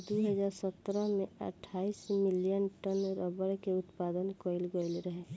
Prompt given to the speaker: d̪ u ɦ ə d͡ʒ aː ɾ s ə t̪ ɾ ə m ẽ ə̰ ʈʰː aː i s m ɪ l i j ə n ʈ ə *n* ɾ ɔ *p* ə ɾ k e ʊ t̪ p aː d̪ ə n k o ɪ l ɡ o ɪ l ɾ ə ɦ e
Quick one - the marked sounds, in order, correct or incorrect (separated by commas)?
correct, incorrect